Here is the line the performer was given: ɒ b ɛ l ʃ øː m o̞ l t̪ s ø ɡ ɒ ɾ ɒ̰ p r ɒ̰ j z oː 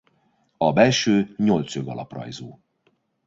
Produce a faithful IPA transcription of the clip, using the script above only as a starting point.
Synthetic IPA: ɒ b ɛ l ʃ øː ɲ o̞ l t̪ s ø ɡ ɒ l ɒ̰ p r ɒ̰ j z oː